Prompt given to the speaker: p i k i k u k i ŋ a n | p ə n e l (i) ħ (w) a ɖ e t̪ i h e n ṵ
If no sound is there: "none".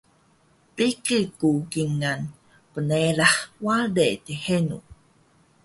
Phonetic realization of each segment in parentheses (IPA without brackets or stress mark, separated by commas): a, w